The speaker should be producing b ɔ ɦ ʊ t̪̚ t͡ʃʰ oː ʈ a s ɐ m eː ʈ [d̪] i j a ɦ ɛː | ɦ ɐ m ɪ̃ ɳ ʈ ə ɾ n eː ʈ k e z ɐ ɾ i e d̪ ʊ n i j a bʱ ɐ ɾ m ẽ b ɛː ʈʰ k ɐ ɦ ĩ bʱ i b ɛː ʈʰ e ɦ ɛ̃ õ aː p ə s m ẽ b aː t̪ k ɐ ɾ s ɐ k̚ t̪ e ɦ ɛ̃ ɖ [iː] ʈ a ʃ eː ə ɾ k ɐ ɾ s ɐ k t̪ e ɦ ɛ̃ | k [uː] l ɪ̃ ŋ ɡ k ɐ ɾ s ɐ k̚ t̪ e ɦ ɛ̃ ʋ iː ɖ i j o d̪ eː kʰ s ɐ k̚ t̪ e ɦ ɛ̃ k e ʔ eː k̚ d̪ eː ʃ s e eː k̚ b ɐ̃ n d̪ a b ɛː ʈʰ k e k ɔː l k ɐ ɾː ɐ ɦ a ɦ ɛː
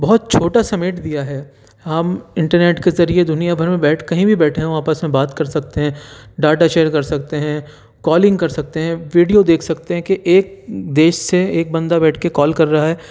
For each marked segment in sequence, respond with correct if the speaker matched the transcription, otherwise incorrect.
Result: correct, incorrect: aː, incorrect: ɔː

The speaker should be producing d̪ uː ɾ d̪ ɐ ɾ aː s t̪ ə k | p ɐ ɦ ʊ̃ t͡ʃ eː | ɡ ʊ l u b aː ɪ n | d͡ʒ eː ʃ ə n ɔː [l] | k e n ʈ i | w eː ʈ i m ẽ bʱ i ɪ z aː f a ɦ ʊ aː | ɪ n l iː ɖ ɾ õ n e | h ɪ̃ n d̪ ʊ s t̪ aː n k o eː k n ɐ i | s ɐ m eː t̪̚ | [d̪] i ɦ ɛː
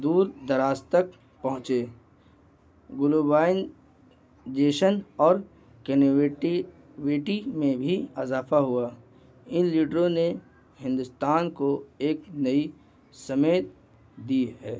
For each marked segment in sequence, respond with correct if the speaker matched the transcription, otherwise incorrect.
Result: incorrect: ɾ, correct

